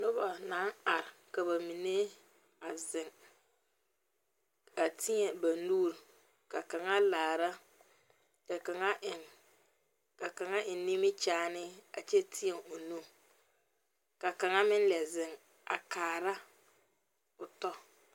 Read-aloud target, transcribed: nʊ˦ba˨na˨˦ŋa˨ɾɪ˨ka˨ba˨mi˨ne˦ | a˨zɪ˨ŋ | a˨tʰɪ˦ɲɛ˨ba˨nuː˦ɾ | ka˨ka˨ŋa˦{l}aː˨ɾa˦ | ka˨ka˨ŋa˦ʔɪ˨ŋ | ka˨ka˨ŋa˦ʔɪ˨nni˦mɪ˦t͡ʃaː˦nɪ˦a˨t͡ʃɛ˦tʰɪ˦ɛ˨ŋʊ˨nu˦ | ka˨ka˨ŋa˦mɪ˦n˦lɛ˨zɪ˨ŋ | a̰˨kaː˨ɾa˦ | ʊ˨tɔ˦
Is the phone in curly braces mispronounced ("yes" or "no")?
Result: no